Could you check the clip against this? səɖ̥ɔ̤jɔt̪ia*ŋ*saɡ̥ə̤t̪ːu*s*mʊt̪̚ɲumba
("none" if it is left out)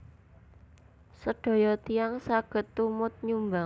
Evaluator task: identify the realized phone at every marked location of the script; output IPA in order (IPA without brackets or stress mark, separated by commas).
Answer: ŋ, none